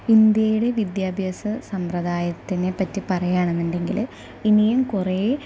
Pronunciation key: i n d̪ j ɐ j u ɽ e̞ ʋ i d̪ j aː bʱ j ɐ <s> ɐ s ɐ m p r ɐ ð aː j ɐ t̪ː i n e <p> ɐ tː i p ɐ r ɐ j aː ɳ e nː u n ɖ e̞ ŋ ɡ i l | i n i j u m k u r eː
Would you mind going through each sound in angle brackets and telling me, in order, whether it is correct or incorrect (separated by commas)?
correct, correct